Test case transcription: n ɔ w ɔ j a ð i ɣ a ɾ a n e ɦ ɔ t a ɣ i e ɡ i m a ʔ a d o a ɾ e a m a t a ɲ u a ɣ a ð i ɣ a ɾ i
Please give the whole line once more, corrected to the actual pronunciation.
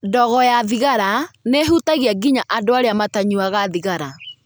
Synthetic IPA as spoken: d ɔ ɣ ɔ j a ð i ɣ a ɾ a n e ɦ u t a ɣ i a ɡ i ɲ a ʔ a d o a ɾ e a m a t a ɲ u a ɣ a ð i ɣ a ɾ a

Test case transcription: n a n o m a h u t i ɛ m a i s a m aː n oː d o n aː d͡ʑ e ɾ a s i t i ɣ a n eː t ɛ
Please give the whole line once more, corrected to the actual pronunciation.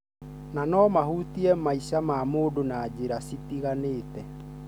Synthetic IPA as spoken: n a n ɔ m a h u t i ɛ m a i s a m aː m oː d o n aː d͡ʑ e ɾ a s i t i ɣ a n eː t ɛ

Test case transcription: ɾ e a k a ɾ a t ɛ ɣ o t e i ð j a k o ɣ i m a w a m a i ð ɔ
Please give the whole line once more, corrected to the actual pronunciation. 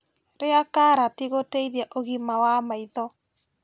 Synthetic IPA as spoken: ɾ e a k a ɾ a t i ɣ o t e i ð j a ʔ o ɣ i m a w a m a i ð ɔ

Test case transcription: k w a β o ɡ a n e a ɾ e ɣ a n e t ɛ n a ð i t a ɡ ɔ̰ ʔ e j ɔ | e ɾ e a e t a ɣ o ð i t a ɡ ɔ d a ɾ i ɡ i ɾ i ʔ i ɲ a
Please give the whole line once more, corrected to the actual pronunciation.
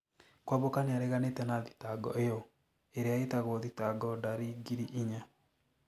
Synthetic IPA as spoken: k w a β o k a n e a ɾ e ɣ a n e t ɛ n a ð i t a ɡ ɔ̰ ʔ e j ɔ | e ɾ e a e t a ɣ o ð i t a ɡ ɔ d a ɾ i ɡ i ɾ i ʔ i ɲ a

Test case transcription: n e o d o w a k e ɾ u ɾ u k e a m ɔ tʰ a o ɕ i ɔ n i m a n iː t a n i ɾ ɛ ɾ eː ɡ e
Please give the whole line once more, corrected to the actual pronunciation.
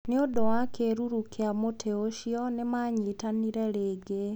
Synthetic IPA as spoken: n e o d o w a k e ɾ u ɾ u k e a m o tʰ e o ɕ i ɔ n e m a ɲ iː t a n i ɾ ɛ ɾ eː ɡ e

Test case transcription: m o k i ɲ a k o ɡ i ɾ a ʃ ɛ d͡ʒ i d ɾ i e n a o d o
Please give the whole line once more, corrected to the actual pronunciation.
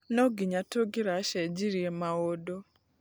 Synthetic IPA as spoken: n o ɡ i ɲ a t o ɡ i ɾ a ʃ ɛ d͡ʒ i ɾ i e m a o d o

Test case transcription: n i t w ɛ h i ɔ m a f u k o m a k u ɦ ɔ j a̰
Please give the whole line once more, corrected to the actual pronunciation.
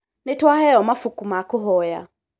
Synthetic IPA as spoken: n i t w a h ɛ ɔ m a f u k u m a k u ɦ ɔ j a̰

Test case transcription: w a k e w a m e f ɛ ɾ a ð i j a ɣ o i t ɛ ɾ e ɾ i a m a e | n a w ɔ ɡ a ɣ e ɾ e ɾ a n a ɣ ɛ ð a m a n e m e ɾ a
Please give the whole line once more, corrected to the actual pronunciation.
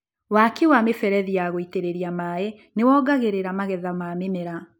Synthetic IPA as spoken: w a k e w a m e f ɛ ɾ ɛ ð i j a ɣ o i t e ɾ e ɾ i a m a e | n e w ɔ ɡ a ɣ e ɾ e ɾ a m a ɣ ɛ ð a m a m e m e ɾ a

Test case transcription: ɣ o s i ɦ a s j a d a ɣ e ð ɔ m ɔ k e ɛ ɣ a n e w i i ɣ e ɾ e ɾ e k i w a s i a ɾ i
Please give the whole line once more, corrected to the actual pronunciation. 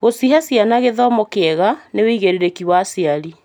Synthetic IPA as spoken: ɣ o s i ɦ a s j a n a ɣ e ð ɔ m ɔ k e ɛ ɣ a n e w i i ɣ e ɾ e ɾ e k i w a s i a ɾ i

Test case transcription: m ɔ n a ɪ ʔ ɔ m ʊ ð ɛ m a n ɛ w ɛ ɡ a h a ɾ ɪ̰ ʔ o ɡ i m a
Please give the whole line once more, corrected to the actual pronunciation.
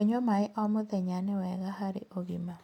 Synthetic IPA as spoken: ɲ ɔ m a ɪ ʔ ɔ m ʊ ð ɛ ɲ a n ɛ w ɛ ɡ a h a ɾ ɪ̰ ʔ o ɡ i m a

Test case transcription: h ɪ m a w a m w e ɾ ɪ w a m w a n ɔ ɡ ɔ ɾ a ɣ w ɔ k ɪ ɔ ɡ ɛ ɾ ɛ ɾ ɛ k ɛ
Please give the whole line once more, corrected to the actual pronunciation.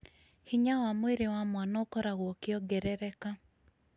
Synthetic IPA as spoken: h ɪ ɲ a w a m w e ɾ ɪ w a m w a n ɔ k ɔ ɾ a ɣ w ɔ k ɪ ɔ ɡ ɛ ɾ ɛ ɾ ɛ k a

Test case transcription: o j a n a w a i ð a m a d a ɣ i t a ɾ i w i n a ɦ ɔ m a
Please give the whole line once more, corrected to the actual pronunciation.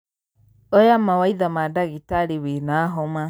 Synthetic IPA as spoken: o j a m a w a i ð a m a d a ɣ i t a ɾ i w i n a ɦ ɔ m a

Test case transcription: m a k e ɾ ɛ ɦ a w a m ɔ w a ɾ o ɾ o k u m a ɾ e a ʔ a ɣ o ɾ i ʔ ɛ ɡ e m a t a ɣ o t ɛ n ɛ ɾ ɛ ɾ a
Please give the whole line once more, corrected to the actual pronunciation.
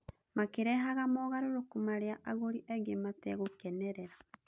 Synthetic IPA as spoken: m a k e ɾ ɛ ɦ a ɣ a m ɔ ɣ a ɾ o ɾ o k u m a ɾ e a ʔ a ɣ o ɾ i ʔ ɛ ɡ e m a t ɛ ɣ o k ɛ n ɛ ɾ ɛ ɾ a

